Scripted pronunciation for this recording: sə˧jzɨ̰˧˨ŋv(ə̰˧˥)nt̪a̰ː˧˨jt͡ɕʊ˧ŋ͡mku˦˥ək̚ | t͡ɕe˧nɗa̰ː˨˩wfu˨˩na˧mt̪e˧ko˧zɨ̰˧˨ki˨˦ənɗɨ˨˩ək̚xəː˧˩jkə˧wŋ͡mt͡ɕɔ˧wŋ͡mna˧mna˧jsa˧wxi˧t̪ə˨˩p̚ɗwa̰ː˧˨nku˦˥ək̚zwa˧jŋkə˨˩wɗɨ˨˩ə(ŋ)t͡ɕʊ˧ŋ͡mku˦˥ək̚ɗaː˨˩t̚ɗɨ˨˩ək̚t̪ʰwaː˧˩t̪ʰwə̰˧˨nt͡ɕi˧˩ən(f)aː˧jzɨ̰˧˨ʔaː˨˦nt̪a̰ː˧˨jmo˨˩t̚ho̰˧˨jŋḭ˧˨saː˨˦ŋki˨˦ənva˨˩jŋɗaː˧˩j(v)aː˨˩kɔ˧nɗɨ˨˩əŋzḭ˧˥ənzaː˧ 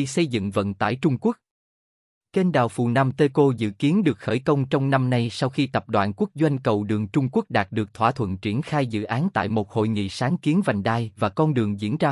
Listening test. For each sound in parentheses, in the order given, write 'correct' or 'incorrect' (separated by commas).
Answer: incorrect, correct, incorrect, correct